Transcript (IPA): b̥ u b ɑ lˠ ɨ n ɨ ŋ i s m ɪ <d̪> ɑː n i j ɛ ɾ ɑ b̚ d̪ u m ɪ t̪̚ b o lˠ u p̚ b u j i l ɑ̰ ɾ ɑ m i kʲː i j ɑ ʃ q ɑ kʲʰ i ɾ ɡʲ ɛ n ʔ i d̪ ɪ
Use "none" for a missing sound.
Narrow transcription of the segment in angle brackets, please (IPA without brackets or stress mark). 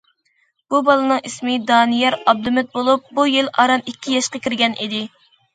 d̪